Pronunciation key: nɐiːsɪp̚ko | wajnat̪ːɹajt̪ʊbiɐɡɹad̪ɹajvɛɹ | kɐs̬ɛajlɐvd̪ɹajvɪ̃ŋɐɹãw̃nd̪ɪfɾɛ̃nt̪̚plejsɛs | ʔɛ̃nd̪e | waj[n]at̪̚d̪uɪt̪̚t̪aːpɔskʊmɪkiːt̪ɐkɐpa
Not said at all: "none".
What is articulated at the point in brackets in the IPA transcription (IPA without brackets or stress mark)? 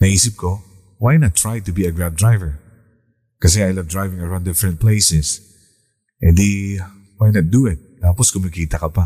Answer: n